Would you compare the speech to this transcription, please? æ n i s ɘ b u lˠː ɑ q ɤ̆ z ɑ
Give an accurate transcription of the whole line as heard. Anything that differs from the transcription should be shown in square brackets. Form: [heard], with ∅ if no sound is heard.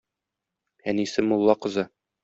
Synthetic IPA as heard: æ n i s ɘ [m] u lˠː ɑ q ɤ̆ z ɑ